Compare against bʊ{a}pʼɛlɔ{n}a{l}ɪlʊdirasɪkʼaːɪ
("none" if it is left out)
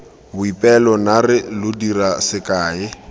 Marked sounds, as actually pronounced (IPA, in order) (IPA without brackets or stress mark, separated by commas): i, n, r